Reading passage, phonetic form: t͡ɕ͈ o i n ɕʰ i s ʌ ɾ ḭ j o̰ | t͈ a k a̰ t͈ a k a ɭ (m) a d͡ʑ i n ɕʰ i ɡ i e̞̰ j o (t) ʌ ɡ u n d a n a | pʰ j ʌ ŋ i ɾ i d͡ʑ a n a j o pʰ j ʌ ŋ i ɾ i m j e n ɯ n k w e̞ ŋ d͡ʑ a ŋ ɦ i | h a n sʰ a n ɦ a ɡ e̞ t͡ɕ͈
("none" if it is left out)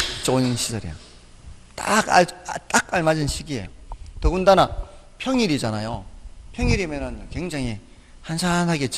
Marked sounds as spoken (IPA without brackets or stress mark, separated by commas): m, t